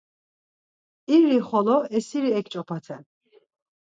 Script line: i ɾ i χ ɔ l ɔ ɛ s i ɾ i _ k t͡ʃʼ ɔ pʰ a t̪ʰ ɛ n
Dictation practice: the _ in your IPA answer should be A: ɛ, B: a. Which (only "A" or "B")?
A